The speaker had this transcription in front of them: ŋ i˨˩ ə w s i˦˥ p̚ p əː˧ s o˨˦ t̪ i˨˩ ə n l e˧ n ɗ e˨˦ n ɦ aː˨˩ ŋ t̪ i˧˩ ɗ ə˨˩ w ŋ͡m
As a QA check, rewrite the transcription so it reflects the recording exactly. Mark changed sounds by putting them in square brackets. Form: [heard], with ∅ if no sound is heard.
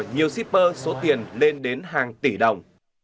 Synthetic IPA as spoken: [ɲ] i˨˩ ə w s i˦˥ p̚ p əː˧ s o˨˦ t̪ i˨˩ ə n l e˧ n ɗ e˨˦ n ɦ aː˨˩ ŋ t̪ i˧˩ ɗ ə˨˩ w ŋ͡m

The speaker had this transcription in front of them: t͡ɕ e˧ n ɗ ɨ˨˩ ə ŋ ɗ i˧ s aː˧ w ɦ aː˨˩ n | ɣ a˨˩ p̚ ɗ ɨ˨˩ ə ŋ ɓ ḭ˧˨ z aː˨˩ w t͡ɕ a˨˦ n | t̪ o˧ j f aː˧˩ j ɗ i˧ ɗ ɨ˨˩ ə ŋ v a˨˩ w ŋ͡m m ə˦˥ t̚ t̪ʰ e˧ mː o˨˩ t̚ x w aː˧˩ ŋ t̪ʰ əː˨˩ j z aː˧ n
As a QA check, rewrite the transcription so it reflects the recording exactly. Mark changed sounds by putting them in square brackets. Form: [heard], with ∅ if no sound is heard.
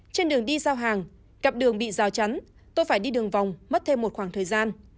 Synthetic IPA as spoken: t͡ɕ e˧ n ɗ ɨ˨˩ ə ŋ ɗ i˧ s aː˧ w ɦ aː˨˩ [ŋ] | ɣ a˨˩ p̚ ɗ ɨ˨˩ ə ŋ ɓ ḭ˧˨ z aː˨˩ w t͡ɕ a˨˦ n | t̪ o˧ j f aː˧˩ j ɗ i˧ ɗ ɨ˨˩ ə ŋ v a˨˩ w ŋ͡m m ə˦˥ t̚ t̪ʰ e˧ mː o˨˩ t̚ x w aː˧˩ ŋ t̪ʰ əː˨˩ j z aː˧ n

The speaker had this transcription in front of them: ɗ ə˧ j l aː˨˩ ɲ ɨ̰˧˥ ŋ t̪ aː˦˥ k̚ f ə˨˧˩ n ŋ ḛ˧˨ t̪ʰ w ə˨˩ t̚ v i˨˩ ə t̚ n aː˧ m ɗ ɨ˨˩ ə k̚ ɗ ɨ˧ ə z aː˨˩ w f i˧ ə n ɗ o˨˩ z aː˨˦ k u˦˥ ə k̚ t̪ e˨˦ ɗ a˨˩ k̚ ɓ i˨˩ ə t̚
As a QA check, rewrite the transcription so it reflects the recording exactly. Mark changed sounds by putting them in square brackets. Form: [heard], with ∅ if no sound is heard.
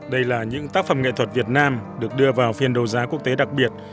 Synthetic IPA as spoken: ɗ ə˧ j l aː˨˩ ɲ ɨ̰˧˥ ŋ t̪ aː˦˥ k̚ f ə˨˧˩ [m] ŋ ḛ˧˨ t̪ʰ w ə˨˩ t̚ v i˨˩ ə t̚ n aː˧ m ɗ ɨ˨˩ ə k̚ ɗ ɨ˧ ə [v] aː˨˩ w f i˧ ə n ɗ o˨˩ z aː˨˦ k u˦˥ ə k̚ t̪ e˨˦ ɗ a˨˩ k̚ ɓ i˨˩ ə t̚

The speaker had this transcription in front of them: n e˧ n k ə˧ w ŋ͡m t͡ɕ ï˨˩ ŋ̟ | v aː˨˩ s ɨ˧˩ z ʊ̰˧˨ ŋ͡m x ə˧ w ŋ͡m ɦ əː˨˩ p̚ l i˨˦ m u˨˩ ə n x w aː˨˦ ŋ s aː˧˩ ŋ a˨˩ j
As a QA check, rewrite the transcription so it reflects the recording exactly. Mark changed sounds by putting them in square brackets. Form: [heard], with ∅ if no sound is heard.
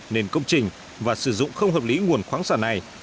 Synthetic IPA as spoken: n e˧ n k ə˧ w ŋ͡m t͡ɕ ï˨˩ ŋ̟ | v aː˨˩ s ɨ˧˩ z ʊ̰˧˨ ŋ͡m x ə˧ w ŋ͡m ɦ əː˨˩ p̚ l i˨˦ [ŋ] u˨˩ ə n x w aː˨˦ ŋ s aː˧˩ [n] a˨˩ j

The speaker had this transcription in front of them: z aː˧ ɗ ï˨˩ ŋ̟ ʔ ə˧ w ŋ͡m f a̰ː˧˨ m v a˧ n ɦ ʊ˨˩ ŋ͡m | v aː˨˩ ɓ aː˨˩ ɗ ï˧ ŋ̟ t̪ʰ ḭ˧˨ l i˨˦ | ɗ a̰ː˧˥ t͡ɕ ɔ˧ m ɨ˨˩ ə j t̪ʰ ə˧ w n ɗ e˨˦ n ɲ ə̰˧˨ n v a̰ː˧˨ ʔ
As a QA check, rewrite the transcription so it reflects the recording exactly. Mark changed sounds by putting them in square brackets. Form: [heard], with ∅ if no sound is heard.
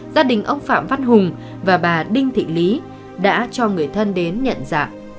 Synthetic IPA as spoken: z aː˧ ɗ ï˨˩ ŋ̟ ʔ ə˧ w ŋ͡m f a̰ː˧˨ m v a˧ n ɦ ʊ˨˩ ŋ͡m | v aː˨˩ ɓ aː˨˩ ɗ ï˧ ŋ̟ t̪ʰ ḭ˧˨ l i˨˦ | ɗ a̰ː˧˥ t͡ɕ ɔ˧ [ŋ] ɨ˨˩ ə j t̪ʰ ə˧ [∅] n ɗ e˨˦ n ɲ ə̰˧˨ n [z] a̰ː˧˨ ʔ

